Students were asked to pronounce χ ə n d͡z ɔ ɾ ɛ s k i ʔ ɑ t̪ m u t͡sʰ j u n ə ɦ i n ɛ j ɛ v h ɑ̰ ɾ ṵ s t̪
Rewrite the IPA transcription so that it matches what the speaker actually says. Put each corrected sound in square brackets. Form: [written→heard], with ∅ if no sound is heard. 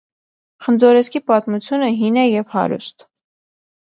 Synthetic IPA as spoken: χ ə n d͡z ɔ ɾ ɛ s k i [ʔ→p] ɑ t̪ m u t͡sʰ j u n ə ɦ i n ɛ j ɛ v h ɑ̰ ɾ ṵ s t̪